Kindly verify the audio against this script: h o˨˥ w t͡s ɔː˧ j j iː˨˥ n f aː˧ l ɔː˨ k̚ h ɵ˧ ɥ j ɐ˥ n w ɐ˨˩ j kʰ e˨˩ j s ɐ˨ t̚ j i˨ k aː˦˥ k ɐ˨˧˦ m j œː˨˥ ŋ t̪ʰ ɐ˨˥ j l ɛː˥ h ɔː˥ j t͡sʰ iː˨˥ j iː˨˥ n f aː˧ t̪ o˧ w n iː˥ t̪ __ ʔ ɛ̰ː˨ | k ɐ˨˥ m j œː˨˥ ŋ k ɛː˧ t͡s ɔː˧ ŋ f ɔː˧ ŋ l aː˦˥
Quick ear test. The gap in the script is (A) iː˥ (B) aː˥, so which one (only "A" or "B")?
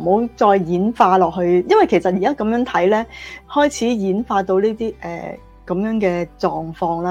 A